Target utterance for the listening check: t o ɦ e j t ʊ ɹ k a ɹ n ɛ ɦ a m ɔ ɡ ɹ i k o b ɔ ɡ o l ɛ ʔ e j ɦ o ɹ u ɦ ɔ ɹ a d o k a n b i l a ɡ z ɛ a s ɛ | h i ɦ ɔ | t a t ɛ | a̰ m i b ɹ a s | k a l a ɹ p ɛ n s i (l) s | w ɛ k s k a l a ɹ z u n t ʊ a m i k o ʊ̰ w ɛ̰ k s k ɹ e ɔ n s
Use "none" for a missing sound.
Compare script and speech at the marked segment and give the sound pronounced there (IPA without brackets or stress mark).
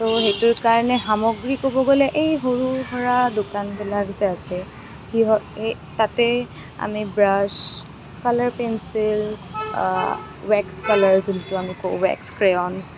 l